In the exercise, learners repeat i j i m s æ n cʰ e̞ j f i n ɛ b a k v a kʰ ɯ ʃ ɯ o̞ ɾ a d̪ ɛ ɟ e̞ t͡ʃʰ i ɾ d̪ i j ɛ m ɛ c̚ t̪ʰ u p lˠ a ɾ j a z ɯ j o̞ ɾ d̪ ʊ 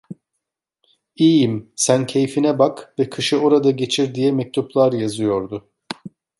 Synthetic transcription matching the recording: i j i m s æ n cʰ e̞ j f i n ɛ b a k v ɛ kʰ ɯ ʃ ɯ o̞ ɾ a d̪ a ɟ e̞ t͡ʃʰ i ɾ d̪ i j ɛ m ɛ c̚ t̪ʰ u p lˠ a ɾ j a z ɯ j o̞ ɾ d̪ ʊ